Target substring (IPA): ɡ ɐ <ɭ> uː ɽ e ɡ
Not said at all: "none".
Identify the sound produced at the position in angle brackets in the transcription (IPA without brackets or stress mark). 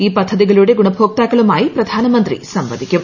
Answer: ɭ